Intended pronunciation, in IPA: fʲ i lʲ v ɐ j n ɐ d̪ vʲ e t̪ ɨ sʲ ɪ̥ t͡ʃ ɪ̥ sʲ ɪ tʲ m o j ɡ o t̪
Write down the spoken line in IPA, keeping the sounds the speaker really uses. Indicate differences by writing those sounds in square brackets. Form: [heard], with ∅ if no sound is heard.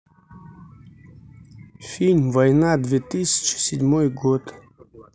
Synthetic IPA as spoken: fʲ i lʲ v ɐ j n [a] d̪ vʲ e t̪ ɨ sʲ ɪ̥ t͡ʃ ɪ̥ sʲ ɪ [dʲ] m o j ɡ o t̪